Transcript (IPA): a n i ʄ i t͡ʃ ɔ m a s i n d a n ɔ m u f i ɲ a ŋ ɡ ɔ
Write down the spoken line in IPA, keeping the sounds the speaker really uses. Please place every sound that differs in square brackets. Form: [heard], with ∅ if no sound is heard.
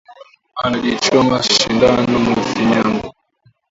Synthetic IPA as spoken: a n [a] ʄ i t͡ʃ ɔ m a [ʃ] i n d a n ɔ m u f i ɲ a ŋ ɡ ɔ